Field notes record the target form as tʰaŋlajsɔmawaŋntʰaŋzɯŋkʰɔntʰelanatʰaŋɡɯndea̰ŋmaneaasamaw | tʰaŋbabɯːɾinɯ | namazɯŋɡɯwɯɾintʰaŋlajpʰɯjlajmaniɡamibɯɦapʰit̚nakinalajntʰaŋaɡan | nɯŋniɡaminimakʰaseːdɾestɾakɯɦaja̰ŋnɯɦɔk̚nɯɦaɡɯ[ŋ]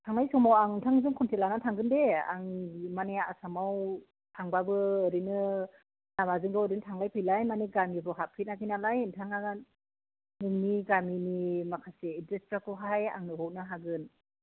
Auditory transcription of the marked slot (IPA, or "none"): n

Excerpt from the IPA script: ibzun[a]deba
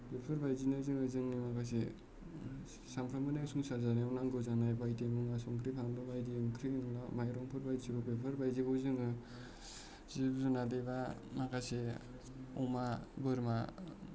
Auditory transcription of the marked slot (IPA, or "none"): a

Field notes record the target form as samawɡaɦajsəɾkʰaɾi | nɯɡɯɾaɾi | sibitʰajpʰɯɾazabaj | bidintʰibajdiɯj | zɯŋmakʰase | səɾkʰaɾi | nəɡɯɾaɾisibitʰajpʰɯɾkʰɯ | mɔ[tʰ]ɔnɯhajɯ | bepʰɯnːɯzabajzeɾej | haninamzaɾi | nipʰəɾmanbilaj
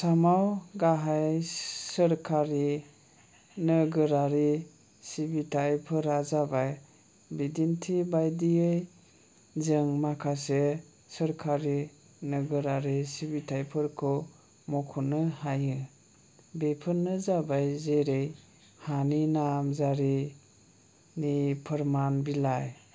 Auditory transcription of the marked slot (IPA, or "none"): kʰ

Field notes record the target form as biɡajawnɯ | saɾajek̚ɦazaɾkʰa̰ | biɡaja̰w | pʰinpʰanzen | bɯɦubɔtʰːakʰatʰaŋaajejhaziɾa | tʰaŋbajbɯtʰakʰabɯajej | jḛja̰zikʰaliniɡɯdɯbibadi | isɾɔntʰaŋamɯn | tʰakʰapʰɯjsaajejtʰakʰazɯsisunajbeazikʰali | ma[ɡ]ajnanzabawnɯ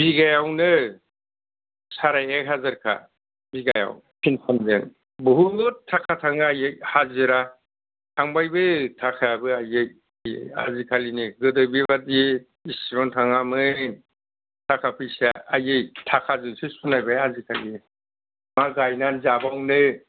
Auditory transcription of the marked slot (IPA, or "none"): ɡ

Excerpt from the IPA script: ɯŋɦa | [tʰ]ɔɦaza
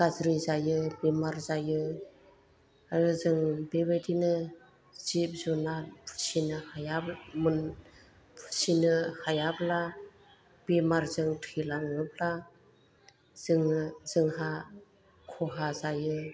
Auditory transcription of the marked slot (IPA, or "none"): kʰ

